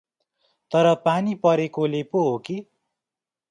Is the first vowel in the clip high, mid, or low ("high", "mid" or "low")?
mid